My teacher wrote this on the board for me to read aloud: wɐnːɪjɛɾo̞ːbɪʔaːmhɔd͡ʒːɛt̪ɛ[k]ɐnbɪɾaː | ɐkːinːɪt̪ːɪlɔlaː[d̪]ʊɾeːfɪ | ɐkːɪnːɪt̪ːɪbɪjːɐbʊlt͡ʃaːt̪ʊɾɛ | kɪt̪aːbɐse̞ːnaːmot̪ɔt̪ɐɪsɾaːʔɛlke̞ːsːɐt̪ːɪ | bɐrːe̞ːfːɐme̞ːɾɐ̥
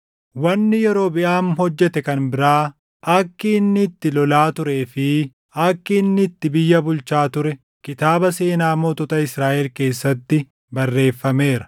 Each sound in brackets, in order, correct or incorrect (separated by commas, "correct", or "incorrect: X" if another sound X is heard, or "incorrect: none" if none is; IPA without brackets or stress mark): correct, incorrect: t̪